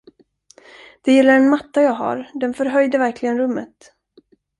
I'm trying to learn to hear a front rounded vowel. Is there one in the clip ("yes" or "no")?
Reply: yes